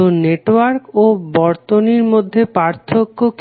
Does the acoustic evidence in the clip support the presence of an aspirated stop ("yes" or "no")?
yes